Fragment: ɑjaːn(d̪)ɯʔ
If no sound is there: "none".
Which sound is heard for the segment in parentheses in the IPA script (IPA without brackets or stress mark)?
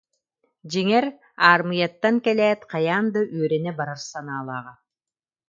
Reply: d̪